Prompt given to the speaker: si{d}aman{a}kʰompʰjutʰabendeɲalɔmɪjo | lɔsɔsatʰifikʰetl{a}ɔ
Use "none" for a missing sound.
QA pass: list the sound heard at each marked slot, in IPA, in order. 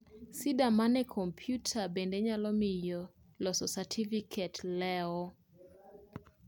d, ɛ, ɛ

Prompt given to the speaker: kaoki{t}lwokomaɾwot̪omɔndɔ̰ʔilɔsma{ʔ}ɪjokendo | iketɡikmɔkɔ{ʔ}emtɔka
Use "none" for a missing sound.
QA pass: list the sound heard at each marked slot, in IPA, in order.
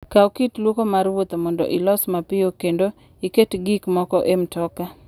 t, p, ʔ

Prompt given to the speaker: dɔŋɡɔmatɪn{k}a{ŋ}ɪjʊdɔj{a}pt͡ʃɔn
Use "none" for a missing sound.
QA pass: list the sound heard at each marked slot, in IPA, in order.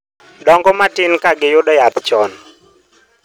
k, ɡ, a

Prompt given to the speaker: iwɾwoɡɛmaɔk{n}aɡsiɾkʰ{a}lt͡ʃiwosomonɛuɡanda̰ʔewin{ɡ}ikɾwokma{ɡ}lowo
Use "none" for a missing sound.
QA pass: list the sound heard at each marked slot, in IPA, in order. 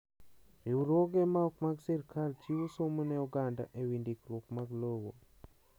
m, a, d, ɡ

